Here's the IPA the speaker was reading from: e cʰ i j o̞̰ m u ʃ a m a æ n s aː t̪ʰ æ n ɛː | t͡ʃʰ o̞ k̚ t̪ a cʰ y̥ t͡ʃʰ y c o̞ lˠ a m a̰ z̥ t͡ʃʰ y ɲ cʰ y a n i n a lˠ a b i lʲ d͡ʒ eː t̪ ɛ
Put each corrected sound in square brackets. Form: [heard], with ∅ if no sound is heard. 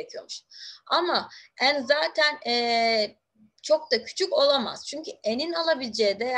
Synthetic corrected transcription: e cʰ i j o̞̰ m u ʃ a m a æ n [z] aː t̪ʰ æ n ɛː | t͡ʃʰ o̞ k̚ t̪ a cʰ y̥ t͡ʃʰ y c o̞ lˠ a m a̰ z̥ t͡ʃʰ y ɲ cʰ y [e] n i n a lˠ a b i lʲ d͡ʒ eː [d̪] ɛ